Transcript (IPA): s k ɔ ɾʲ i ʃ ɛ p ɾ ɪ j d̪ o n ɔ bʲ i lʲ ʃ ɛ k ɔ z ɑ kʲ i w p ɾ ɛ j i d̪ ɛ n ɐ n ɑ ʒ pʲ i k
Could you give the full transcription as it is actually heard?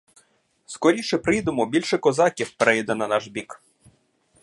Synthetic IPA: s k ɔ ɾʲ i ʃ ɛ p ɾ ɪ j d̪ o m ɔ bʲ i lʲ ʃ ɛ k ɔ z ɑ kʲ i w p ɾ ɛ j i d̪ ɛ n ɐ n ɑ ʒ bʲ i k